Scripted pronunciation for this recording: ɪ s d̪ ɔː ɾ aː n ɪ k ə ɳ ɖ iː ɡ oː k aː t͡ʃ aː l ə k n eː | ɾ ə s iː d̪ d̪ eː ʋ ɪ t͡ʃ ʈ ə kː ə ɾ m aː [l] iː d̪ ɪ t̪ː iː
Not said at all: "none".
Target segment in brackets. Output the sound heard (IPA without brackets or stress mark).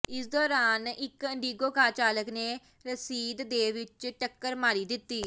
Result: ɾ